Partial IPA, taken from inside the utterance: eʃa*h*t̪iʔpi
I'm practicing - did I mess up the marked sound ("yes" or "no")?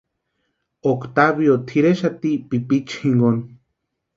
yes